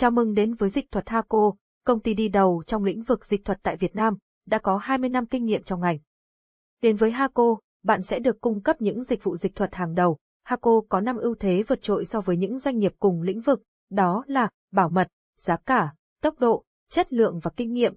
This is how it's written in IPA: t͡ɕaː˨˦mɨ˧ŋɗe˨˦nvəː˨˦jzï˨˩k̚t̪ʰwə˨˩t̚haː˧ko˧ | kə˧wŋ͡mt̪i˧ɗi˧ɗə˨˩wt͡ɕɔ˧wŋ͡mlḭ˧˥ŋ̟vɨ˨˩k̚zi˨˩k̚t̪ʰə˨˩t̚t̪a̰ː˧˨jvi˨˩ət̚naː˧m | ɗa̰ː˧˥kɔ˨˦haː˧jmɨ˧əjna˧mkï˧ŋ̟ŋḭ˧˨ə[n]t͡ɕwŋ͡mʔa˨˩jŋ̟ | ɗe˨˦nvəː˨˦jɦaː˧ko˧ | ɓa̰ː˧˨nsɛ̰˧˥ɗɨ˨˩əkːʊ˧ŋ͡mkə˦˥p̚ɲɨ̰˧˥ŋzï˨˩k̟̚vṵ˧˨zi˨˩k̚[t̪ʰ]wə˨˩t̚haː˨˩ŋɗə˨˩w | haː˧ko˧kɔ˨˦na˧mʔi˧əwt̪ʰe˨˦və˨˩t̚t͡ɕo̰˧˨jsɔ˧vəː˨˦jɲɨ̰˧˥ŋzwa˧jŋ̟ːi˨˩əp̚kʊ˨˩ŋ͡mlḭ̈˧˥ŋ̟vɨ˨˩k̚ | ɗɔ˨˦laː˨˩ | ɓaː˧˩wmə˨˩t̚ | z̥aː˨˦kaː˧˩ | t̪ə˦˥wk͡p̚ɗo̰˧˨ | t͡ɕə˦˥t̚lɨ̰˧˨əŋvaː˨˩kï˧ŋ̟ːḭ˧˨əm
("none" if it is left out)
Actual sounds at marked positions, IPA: m, t̪ʰ

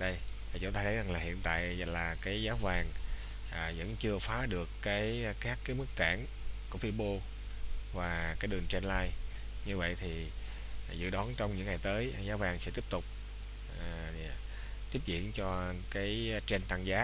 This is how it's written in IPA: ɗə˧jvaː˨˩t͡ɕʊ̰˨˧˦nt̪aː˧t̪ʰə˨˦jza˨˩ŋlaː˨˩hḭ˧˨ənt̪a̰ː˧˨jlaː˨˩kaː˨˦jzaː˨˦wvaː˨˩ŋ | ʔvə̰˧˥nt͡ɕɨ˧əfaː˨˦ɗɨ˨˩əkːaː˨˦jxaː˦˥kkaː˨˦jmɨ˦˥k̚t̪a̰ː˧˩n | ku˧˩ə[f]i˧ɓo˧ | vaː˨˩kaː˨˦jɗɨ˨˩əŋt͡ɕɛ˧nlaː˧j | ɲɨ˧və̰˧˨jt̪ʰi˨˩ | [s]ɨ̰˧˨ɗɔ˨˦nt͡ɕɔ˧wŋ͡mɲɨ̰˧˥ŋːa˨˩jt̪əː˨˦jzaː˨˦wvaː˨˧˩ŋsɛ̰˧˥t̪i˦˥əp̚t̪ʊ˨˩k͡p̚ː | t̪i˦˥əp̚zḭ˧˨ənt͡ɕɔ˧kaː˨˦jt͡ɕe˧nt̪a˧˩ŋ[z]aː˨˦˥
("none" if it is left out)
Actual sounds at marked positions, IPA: f, z, z

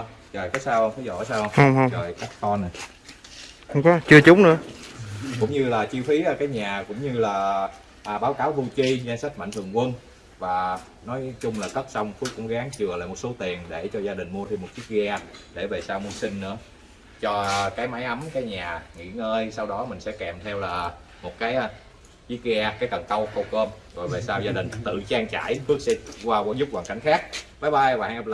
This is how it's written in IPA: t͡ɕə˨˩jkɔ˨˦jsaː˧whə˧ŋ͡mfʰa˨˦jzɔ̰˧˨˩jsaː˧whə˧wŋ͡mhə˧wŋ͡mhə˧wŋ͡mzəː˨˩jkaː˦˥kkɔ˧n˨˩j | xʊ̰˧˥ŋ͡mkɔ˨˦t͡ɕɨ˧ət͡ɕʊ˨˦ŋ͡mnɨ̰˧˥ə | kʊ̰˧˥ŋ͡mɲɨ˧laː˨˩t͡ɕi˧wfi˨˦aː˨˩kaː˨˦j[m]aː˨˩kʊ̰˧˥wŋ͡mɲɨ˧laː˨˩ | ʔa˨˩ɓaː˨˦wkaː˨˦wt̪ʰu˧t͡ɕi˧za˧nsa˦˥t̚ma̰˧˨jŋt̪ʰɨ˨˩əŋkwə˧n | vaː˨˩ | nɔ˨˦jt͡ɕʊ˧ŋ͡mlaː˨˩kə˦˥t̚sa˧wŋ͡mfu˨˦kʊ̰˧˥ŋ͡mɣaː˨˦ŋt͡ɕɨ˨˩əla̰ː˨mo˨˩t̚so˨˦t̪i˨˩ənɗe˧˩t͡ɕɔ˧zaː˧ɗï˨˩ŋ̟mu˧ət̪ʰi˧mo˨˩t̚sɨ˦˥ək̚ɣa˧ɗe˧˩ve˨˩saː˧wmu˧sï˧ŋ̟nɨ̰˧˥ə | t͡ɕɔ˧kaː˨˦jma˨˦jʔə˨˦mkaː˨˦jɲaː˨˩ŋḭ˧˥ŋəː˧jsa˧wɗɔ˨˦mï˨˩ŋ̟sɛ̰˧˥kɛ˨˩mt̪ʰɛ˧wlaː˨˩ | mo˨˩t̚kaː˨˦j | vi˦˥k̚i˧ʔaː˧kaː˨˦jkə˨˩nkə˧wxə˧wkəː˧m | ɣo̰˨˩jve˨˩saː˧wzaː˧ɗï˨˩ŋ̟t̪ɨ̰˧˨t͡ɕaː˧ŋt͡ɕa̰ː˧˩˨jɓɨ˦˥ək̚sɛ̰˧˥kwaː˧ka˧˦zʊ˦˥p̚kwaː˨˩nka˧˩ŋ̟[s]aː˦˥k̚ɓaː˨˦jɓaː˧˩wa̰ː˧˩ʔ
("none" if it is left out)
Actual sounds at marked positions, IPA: ɲ, x

